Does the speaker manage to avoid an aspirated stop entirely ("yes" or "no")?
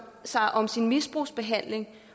yes